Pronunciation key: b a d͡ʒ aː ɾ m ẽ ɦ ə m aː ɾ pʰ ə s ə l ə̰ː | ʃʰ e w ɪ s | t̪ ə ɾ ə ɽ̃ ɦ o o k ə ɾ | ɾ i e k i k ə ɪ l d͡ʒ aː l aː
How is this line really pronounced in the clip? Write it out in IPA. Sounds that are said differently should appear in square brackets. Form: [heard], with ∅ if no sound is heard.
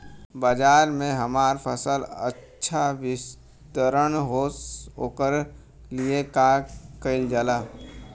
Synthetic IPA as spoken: b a d͡ʒ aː ɾ m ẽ ɦ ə m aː ɾ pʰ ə s ə l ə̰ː | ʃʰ [a] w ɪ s | t̪ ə ɾ ə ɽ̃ ɦ o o k ə ɾ | [l] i e k [a] k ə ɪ l d͡ʒ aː l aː